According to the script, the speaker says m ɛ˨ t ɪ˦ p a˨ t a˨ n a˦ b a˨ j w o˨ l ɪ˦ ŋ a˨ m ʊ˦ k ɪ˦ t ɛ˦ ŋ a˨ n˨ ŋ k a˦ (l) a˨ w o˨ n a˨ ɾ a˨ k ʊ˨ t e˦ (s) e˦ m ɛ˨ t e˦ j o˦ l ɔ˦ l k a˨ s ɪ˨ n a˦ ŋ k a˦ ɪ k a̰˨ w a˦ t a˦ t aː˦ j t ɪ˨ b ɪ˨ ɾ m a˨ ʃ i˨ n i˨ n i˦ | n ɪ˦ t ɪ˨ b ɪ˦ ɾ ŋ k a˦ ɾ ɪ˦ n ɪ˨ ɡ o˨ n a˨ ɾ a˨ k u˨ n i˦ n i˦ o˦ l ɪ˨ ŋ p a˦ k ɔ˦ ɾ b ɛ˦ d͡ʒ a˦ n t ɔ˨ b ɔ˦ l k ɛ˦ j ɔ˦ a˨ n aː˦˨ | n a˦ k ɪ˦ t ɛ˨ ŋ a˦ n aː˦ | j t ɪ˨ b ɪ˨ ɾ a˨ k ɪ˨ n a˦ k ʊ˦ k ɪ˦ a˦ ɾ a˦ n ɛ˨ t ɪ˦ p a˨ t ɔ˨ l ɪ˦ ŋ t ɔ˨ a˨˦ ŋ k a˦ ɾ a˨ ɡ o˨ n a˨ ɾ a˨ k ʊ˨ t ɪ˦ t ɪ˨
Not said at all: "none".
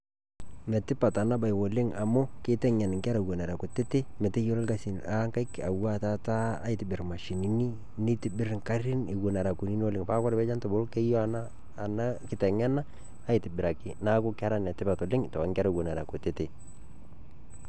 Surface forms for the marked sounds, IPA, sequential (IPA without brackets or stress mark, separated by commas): ɾ, t